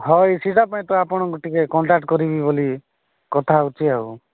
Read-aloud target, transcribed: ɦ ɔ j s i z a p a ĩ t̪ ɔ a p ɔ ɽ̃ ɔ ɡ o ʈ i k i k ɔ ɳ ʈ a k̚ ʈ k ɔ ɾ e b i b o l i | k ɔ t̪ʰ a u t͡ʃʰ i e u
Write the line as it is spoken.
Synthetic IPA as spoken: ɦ ɔ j s i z a p a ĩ t̪ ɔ a p ɔ ɽ̃ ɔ ɡ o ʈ i k e k ɔ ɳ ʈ a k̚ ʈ k ɔ ɾ i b i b o l i | k ɔ t̪ʰ a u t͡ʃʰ i a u